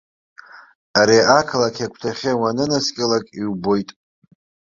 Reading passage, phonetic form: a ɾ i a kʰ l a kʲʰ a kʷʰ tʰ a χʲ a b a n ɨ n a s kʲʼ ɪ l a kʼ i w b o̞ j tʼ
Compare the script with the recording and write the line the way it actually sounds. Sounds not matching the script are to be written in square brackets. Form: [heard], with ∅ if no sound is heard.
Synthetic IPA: a ɾ i a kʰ l a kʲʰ a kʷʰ tʰ a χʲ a [w] a n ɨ n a s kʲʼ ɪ l a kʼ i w b o̞ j tʼ